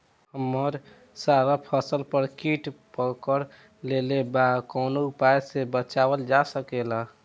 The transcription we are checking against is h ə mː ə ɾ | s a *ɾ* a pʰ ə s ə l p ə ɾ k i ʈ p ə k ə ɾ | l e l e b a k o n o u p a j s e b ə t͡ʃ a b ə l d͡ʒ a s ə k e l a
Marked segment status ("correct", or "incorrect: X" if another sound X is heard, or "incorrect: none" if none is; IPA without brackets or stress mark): correct